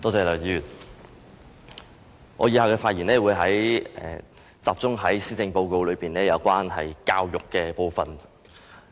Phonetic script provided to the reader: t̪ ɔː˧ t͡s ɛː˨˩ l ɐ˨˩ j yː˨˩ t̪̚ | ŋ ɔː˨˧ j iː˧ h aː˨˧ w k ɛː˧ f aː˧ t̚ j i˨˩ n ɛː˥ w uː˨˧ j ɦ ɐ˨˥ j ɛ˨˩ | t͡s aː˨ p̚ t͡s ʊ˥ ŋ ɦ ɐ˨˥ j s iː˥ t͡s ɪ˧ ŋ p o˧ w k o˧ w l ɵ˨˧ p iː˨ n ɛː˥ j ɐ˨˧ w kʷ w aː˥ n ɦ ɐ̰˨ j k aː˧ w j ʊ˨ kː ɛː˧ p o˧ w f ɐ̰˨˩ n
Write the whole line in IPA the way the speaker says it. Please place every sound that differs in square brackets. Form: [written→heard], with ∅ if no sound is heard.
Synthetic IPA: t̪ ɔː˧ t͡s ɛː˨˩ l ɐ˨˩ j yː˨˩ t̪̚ | ŋ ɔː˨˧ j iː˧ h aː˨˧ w k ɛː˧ f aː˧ t̚ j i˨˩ n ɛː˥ w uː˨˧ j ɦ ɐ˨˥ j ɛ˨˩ | t͡s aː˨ p̚ t͡s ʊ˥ ŋ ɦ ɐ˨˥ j s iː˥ t͡s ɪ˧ ŋ p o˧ w k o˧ w l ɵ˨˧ p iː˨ n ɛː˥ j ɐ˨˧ w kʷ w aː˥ n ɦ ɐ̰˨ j k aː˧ w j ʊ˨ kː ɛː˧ p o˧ w f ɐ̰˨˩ n

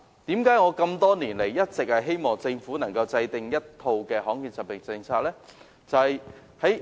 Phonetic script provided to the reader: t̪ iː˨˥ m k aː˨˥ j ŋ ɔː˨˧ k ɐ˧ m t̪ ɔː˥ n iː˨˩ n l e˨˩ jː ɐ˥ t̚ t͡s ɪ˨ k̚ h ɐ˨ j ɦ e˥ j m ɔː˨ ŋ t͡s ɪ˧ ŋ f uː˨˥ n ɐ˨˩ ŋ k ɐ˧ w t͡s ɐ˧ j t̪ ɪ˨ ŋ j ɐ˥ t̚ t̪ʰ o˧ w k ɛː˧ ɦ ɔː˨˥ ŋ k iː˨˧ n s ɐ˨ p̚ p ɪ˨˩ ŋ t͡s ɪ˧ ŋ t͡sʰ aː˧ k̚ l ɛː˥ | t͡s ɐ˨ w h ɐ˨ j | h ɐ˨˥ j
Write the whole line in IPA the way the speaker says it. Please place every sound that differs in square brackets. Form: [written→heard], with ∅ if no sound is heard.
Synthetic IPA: t̪ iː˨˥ m k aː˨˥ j ŋ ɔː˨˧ k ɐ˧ m t̪ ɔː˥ n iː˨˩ n l e˨˩ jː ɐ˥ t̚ t͡s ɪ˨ k̚ h ɐ˨ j ɦ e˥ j m ɔː˨ ŋ t͡s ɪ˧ ŋ f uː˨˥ n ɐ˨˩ ŋ k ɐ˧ w t͡s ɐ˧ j t̪ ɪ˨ ŋ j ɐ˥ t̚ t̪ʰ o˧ w k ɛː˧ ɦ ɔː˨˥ ŋ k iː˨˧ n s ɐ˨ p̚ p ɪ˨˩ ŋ t͡s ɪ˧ ŋ t͡sʰ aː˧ k̚ l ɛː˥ | t͡s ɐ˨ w h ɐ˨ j | h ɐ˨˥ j

